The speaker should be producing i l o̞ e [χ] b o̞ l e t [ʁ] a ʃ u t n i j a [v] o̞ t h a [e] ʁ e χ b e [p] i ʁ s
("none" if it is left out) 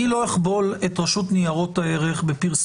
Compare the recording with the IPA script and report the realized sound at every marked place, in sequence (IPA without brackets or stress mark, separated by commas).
χ, ʁ, ʁ, e, p